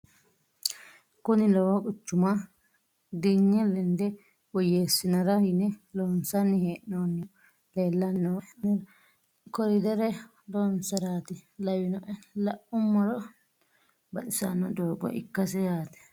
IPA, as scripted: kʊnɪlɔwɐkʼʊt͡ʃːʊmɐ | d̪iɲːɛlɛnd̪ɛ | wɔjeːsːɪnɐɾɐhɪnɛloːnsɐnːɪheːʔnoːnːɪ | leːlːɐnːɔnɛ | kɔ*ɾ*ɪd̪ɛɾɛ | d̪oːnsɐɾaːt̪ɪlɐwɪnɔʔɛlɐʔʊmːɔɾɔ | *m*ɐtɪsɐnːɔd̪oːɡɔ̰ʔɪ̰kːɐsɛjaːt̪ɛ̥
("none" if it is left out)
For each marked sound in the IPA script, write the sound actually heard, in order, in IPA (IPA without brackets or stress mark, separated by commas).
ɾ, b